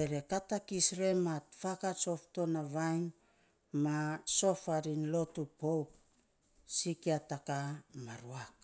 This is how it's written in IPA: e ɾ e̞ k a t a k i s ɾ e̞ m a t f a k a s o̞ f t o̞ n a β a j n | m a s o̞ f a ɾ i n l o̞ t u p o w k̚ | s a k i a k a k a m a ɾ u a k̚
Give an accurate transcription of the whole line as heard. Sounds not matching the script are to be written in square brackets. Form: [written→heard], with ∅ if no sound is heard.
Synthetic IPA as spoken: e ɾ e̞ k a t a k i s ɾ e̞ m a t f a k a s o̞ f t o̞ n a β a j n | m a s o̞ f a ɾ i n l o̞ t u p o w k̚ | s [a→i] k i a [k→t] a k a m a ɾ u a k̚